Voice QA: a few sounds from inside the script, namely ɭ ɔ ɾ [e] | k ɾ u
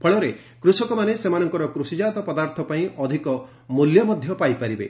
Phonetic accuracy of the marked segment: correct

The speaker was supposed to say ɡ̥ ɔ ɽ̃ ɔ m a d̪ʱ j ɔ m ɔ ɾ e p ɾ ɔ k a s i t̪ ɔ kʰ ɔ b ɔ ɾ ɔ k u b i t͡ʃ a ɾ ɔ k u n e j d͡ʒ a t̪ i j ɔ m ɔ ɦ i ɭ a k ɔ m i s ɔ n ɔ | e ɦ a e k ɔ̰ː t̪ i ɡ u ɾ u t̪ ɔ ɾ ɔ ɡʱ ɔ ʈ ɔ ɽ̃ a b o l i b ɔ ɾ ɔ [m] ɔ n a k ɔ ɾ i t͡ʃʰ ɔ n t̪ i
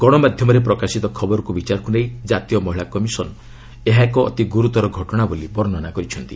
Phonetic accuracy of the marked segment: incorrect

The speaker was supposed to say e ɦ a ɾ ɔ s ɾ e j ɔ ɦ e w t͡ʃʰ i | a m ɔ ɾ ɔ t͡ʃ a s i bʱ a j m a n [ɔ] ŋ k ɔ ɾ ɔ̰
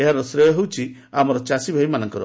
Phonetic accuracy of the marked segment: correct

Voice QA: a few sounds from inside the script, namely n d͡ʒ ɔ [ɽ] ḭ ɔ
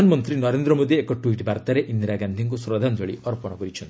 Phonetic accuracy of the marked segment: incorrect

